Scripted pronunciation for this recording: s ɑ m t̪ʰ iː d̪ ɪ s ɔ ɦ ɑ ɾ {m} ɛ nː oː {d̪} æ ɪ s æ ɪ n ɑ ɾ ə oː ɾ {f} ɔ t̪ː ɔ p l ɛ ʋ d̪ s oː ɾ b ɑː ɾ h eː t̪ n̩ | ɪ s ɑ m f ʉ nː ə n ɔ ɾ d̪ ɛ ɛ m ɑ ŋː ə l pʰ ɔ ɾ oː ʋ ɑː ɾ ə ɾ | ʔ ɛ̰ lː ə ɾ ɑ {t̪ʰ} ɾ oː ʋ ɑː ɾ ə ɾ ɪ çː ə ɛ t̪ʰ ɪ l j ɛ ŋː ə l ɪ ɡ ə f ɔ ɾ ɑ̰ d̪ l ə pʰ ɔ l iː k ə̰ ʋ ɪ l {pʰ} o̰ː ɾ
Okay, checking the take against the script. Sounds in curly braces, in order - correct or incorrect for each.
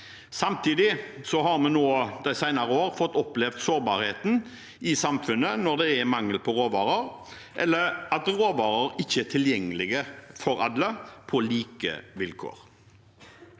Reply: correct, correct, correct, incorrect, incorrect

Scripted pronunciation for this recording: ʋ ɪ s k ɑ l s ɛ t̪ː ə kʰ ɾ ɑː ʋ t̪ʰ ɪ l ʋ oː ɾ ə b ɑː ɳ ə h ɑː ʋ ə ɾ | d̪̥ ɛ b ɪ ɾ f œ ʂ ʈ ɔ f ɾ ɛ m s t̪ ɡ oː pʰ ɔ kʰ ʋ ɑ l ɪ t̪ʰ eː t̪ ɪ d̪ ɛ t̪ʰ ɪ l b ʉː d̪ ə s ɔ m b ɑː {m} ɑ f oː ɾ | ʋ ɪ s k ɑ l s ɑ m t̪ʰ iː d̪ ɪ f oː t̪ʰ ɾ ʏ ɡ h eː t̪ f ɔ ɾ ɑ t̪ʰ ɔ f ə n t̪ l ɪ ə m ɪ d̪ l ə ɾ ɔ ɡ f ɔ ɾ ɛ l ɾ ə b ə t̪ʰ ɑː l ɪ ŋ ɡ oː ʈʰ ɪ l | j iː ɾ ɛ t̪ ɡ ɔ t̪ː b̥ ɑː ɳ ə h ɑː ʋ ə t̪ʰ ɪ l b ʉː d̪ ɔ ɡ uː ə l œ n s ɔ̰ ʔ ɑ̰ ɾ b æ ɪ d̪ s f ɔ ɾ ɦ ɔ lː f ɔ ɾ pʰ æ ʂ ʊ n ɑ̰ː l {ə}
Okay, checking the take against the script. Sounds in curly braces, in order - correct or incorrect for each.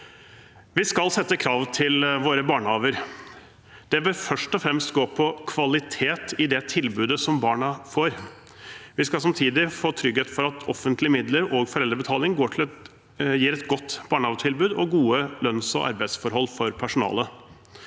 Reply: incorrect, correct

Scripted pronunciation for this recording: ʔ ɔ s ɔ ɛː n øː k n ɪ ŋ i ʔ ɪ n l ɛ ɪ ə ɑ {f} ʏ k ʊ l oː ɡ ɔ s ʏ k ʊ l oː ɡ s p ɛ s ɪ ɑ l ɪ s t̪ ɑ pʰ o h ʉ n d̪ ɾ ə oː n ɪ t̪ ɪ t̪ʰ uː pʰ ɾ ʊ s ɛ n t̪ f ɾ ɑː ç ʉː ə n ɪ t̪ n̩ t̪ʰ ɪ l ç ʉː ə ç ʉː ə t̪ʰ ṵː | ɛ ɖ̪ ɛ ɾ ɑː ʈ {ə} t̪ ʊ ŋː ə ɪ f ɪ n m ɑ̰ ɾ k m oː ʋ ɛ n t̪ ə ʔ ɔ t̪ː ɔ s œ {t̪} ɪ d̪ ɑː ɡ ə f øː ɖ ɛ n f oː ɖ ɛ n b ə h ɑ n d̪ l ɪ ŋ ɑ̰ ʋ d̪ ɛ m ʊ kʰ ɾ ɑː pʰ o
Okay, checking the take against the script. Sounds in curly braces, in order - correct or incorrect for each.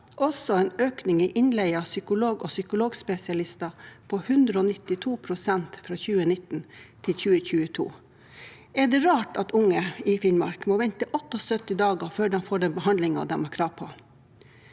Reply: incorrect, incorrect, correct

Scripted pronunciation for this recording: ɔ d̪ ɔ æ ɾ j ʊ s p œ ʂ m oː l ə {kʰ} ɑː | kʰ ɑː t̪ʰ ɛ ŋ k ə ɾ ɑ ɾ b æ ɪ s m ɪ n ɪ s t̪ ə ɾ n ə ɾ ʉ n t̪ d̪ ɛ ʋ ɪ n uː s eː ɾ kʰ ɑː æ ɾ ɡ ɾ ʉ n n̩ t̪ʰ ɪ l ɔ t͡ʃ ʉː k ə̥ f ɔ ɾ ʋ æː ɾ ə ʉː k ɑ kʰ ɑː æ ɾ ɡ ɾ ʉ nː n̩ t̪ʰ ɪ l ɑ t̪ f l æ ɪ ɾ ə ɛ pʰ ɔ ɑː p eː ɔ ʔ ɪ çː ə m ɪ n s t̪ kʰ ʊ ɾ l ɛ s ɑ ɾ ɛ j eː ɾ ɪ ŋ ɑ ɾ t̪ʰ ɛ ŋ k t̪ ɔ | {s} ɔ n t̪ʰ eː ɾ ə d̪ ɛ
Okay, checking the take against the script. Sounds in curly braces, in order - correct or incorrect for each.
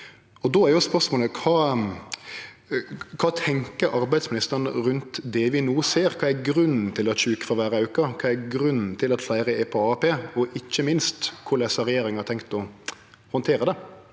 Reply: correct, incorrect

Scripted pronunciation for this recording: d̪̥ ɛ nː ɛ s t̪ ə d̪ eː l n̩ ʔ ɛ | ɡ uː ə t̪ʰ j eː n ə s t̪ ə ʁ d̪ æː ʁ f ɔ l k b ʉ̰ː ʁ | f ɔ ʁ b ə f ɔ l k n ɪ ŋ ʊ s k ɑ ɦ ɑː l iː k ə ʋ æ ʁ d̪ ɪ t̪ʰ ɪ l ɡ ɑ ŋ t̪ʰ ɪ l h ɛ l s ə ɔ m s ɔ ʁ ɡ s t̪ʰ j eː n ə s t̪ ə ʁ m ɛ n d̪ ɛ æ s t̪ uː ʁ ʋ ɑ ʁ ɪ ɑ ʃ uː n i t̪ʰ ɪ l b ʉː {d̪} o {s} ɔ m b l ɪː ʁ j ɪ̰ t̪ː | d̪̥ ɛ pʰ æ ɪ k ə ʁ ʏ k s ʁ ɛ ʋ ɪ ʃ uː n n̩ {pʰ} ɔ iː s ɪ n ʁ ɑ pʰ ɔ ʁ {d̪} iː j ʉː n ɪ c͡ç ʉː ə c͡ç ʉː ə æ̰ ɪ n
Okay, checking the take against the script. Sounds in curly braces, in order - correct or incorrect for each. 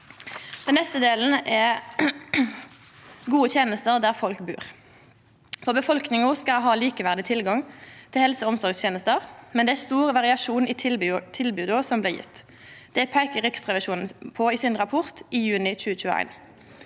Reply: correct, correct, correct, incorrect

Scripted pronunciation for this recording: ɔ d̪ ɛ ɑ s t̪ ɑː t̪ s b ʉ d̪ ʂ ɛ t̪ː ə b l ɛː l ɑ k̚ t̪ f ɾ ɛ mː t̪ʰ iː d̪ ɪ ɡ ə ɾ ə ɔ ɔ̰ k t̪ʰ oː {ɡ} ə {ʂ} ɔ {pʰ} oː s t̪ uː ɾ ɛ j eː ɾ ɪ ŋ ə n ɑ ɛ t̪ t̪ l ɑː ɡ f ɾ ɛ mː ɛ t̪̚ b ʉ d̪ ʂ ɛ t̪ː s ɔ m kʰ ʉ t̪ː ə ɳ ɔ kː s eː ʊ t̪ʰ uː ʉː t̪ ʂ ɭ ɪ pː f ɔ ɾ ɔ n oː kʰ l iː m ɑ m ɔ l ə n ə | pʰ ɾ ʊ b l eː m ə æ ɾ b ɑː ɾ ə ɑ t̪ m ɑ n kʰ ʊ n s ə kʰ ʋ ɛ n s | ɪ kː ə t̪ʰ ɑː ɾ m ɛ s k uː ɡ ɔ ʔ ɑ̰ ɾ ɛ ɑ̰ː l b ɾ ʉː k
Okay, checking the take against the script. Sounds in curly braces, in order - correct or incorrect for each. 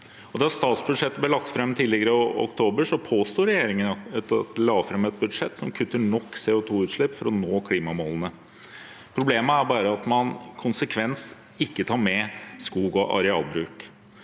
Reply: incorrect, correct, correct

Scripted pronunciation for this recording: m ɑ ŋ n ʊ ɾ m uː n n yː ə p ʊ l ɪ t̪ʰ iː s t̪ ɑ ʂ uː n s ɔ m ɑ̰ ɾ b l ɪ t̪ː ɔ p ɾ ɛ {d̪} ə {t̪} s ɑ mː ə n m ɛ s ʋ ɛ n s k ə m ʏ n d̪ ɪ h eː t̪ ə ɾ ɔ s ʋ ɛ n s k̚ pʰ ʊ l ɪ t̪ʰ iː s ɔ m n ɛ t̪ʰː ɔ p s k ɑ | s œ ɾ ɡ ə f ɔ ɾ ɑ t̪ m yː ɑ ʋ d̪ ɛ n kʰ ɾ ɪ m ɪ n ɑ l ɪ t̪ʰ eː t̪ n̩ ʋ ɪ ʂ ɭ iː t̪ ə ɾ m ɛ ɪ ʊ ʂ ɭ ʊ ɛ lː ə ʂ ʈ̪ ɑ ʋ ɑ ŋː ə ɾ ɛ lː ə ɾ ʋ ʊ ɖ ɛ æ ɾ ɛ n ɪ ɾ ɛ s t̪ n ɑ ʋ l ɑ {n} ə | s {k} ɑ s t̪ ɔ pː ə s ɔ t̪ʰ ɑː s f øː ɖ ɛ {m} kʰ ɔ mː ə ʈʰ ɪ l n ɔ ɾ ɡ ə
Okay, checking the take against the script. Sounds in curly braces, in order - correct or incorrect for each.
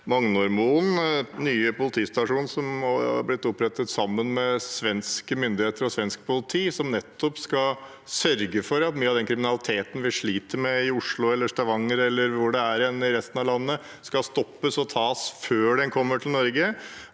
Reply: incorrect, correct, incorrect, correct, incorrect

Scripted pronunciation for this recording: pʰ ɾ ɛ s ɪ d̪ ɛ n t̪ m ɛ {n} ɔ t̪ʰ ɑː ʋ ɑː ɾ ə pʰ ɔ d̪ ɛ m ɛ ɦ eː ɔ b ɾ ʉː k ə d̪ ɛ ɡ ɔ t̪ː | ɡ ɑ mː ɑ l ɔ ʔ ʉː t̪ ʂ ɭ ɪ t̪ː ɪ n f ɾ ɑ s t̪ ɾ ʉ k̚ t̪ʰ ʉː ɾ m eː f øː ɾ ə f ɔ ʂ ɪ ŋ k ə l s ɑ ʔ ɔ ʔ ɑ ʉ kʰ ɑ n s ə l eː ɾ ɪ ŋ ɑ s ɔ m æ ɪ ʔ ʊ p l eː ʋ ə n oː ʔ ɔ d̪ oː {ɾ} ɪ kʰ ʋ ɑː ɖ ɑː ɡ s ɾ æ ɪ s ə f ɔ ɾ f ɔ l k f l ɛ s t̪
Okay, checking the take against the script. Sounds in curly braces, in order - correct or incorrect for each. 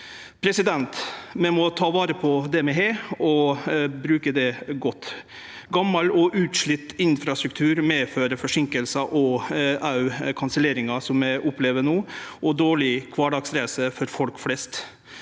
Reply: incorrect, incorrect

